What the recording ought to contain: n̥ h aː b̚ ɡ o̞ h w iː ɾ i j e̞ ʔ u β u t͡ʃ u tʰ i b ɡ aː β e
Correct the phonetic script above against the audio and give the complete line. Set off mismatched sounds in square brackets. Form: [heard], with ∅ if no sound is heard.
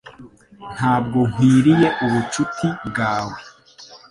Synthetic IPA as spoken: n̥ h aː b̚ ɡ o̞ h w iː ɾ i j e̞ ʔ u β u t͡ʃ u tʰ i b ɡ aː [w] e

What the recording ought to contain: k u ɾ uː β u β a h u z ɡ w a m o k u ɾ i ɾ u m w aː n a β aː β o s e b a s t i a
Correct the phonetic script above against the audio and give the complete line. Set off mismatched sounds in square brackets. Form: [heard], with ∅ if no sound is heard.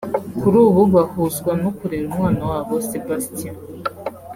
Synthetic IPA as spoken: k u ɾ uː β u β a h u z ɡ w a [n] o k u ɾ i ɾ u m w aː n a [w] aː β o s e b a s t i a

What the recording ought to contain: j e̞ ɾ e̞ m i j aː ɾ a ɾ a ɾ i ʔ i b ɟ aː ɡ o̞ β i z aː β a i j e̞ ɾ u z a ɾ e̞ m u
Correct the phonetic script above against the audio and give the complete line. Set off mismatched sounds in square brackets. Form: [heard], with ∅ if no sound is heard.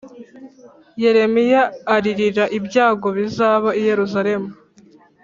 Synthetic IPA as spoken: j e̞ ɾ e̞ m i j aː ɾ [i] ɾ [i] ɾ [a] ʔ i b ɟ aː ɡ o̞ β i z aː β a i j e̞ ɾ u z a ɾ e̞ m u

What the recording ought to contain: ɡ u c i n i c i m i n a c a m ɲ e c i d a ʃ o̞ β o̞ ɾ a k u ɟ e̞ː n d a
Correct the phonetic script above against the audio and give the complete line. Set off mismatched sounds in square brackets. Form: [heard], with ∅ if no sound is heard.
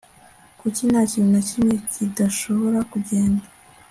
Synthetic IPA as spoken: [k] u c i n [a] c i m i n a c [i] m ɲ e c i d a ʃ o̞ β o̞ ɾ a k u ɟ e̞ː n d a

